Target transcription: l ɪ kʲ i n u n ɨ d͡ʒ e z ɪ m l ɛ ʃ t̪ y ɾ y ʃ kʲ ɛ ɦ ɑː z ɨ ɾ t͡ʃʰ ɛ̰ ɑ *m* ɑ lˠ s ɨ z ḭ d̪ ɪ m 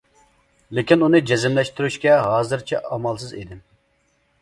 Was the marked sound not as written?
no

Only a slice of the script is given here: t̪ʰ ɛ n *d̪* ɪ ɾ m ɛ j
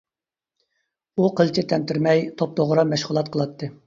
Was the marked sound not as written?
yes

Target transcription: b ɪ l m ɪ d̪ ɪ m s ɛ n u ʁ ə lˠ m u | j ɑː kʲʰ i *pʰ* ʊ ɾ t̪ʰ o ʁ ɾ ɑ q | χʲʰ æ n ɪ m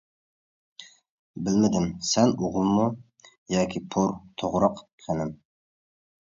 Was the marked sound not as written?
no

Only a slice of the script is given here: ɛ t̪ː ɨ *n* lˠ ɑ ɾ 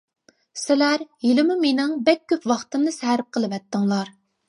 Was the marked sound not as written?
yes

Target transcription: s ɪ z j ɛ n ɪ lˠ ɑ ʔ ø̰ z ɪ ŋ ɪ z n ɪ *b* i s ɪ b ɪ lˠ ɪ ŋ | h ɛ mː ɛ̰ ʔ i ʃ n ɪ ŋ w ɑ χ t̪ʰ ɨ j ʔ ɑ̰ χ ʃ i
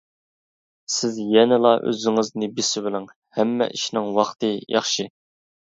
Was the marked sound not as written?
no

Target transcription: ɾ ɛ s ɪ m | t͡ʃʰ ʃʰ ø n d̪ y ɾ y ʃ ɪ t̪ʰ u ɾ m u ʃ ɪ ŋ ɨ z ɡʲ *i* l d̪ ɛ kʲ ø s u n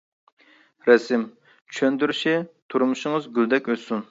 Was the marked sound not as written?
yes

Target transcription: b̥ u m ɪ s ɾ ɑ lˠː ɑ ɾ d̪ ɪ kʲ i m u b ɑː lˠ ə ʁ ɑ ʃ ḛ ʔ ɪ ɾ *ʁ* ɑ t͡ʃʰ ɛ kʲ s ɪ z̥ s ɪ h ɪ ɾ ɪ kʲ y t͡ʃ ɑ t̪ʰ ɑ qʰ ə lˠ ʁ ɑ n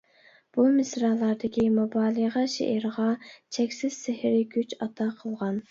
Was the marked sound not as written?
no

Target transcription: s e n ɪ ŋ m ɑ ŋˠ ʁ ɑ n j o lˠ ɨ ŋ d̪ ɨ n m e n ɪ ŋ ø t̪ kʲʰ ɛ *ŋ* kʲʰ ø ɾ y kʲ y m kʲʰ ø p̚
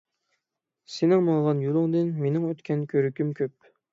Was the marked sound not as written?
yes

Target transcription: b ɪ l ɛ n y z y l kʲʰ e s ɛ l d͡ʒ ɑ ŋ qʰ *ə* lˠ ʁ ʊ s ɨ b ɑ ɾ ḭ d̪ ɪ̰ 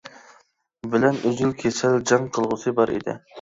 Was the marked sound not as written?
no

